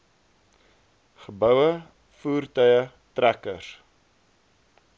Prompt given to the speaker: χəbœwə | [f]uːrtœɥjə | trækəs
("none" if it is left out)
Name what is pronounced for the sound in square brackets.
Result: f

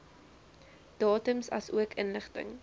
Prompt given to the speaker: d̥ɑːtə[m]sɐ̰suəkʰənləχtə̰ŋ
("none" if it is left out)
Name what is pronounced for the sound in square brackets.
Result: m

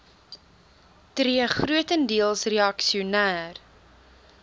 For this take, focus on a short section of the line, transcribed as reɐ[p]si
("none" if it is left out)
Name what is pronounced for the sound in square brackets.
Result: k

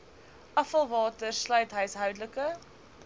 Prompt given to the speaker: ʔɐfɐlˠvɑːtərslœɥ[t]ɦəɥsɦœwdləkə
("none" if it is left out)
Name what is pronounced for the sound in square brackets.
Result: t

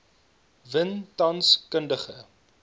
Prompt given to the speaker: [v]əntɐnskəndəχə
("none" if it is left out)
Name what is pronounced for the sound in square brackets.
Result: v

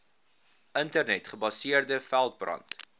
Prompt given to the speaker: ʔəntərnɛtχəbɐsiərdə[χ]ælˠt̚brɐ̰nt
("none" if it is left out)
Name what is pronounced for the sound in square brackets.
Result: f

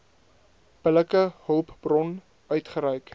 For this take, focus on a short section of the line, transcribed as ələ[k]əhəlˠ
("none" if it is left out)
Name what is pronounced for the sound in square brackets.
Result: k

